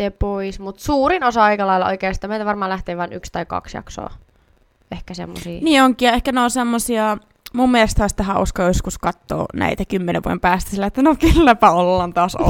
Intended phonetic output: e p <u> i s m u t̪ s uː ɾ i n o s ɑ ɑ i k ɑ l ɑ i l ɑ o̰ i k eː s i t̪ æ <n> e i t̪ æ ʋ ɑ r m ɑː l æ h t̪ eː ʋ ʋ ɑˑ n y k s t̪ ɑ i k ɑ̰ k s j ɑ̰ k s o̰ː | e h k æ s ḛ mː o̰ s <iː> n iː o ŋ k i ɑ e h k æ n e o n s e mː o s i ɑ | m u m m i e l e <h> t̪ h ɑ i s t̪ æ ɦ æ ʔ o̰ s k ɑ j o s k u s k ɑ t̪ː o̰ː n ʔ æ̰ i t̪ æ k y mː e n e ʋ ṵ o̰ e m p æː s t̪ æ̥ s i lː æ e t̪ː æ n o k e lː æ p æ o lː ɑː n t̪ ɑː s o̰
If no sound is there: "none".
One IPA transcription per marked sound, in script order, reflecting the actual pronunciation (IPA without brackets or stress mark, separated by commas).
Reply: o, m, iː, s